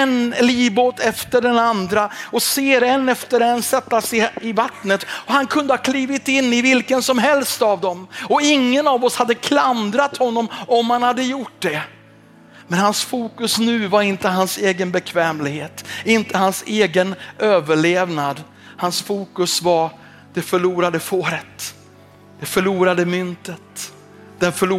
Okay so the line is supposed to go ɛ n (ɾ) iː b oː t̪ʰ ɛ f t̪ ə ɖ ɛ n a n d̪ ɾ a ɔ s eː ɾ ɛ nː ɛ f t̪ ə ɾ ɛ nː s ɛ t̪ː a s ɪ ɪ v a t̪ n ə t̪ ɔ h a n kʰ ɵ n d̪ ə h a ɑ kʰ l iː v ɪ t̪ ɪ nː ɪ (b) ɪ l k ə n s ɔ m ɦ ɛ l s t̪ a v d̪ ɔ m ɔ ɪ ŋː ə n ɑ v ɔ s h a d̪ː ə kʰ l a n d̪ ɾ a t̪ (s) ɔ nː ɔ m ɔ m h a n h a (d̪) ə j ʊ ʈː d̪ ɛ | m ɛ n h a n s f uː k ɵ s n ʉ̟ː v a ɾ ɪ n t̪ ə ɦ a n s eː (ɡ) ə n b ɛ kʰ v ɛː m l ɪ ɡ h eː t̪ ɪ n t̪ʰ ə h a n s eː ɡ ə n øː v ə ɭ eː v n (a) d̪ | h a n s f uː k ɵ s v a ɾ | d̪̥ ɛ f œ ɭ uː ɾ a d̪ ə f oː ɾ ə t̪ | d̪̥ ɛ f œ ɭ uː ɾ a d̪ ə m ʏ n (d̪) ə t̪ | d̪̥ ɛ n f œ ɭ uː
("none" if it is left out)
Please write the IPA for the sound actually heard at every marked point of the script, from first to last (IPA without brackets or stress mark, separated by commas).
l, v, h, d̪ː, ɡ, a, t̪